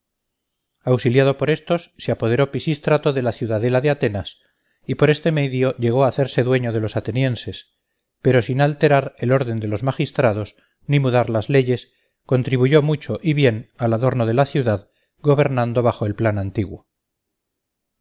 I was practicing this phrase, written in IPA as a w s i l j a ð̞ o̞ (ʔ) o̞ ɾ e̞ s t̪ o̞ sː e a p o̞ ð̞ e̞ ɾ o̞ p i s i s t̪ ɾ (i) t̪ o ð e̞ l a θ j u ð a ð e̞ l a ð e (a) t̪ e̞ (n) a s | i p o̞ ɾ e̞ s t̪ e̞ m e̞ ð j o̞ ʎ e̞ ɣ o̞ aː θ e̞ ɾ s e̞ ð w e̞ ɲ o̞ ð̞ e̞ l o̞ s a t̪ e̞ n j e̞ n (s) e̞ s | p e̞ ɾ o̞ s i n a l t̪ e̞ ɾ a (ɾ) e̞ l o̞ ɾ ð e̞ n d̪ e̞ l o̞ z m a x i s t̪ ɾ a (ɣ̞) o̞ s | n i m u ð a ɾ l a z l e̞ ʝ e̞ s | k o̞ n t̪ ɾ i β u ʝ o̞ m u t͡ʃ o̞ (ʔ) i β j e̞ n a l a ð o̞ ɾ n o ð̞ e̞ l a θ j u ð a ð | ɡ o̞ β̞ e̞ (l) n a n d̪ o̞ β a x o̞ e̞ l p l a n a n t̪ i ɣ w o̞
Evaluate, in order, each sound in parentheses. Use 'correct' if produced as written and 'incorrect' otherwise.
incorrect: p, incorrect: a, correct, correct, correct, correct, incorrect: ð̞, correct, incorrect: ɾ

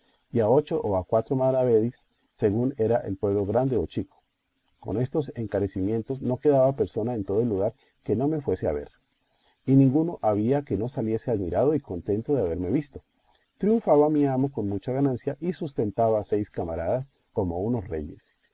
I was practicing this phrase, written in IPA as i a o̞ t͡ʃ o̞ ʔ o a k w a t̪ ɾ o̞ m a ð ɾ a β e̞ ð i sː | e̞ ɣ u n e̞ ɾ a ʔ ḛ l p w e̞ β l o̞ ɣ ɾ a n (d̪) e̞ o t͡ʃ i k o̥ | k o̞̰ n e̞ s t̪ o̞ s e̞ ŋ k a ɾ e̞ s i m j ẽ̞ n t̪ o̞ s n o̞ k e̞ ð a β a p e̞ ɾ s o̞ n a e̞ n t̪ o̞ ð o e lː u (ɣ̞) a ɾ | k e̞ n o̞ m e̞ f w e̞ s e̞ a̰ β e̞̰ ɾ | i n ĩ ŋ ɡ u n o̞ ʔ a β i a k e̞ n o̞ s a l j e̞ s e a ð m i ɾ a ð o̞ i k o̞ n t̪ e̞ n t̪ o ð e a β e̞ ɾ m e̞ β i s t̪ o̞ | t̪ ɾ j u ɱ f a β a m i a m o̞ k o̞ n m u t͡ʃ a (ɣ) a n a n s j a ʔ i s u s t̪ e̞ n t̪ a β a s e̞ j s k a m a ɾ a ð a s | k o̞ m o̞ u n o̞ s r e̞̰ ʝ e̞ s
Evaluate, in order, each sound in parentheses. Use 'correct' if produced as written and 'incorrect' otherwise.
correct, correct, correct

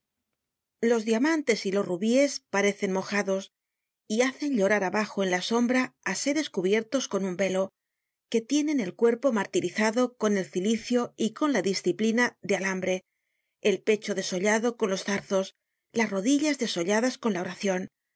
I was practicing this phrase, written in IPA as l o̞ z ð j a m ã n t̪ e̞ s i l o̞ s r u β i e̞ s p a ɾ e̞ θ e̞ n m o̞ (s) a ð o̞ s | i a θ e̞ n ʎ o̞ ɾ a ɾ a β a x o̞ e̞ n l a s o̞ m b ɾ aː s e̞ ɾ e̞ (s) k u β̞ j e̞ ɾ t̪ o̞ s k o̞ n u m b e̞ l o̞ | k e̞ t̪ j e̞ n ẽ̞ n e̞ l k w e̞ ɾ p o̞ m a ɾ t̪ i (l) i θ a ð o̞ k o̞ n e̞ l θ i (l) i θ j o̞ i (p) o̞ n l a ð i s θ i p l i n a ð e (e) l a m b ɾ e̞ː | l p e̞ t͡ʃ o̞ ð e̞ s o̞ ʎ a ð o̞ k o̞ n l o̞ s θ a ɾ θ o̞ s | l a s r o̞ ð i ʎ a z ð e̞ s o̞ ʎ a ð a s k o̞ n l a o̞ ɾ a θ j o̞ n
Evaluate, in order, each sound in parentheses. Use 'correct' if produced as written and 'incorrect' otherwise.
incorrect: x, correct, incorrect: ɾ, correct, incorrect: k, incorrect: a

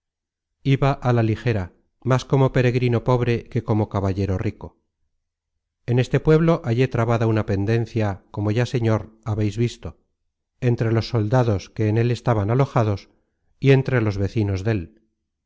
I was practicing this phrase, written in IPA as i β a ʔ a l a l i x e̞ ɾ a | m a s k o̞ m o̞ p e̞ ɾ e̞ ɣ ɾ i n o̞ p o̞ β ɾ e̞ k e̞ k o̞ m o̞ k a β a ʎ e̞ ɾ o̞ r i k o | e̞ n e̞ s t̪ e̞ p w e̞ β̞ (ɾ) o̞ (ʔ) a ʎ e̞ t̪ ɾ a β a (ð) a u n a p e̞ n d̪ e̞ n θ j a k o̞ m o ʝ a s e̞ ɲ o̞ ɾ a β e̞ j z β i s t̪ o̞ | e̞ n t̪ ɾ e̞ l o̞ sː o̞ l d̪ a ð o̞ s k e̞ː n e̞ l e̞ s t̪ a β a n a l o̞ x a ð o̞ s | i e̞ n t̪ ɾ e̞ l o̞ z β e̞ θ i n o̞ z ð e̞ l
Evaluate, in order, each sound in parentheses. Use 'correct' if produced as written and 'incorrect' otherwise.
incorrect: l, correct, correct

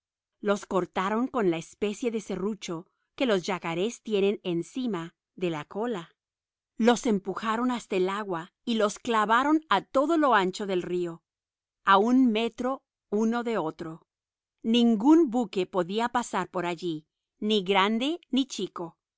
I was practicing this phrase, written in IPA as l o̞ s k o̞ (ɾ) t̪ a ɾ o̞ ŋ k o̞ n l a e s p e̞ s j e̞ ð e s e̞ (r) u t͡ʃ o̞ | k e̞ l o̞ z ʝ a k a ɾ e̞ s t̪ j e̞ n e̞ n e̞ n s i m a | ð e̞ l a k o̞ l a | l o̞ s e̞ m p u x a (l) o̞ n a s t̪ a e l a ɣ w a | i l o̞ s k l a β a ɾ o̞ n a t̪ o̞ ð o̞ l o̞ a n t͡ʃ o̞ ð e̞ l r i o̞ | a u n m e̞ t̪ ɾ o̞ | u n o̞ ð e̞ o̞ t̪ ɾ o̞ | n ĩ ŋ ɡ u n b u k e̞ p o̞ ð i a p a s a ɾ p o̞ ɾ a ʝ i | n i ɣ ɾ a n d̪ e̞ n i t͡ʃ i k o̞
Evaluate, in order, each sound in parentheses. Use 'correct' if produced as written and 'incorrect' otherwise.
correct, correct, incorrect: ɾ

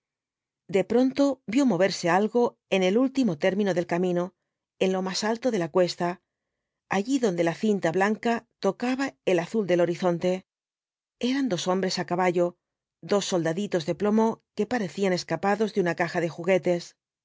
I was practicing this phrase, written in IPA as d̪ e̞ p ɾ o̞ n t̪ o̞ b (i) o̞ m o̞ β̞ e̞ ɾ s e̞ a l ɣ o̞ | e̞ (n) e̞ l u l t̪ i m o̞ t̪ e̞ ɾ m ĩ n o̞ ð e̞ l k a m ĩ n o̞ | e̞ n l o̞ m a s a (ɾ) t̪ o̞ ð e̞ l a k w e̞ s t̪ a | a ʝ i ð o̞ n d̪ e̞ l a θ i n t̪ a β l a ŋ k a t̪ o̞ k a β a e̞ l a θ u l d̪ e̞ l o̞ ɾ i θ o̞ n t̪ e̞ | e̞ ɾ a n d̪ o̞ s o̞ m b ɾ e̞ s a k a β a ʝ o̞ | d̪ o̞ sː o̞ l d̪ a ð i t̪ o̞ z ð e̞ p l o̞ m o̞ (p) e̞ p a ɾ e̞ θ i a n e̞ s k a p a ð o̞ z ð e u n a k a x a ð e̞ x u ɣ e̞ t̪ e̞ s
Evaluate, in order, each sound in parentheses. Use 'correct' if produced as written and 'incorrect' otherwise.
incorrect: j, correct, incorrect: l, incorrect: k

